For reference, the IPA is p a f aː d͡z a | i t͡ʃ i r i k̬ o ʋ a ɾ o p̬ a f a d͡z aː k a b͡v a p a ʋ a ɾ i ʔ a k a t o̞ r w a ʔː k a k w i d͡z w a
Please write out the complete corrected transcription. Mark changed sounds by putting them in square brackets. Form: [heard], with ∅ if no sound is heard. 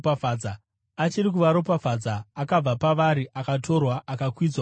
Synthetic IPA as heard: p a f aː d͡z a | [a] t͡ʃ i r i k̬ [u] ʋ a ɾ o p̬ a f a d͡z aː k a b͡v a p a ʋ a ɾ i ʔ a k a t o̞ r w a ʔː k a k w i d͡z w a